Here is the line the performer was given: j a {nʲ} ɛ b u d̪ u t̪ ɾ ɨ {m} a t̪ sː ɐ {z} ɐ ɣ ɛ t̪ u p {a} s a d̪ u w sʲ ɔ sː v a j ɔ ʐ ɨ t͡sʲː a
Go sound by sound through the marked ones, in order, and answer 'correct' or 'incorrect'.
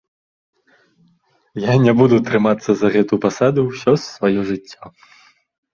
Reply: correct, correct, correct, correct

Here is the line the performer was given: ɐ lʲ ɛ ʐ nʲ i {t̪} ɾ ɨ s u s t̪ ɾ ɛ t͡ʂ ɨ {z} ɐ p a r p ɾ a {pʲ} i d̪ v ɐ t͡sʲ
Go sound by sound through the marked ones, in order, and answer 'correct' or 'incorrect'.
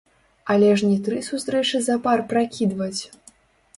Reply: correct, correct, incorrect

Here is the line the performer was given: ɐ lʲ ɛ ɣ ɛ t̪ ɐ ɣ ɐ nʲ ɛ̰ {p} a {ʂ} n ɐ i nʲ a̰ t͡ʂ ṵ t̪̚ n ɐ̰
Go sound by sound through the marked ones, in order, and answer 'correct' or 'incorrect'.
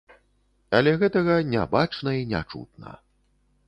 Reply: incorrect, incorrect

